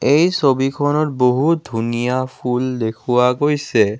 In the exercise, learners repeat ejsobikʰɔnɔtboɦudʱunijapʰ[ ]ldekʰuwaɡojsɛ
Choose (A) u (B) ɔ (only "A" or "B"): A